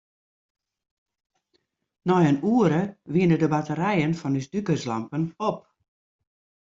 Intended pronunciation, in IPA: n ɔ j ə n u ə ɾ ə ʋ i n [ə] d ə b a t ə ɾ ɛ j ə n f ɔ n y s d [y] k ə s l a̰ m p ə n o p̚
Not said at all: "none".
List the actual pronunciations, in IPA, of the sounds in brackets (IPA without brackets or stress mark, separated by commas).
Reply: ə, y